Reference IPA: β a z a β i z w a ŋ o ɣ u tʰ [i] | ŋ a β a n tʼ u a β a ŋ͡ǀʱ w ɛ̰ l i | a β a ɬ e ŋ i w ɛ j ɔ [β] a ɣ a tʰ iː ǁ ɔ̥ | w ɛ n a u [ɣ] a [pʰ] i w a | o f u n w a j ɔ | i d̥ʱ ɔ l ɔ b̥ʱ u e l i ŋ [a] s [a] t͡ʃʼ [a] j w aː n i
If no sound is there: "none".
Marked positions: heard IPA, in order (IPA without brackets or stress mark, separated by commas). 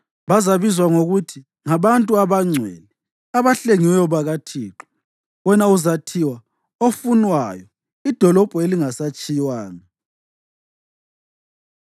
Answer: i, β, z, tʰ, a, a, i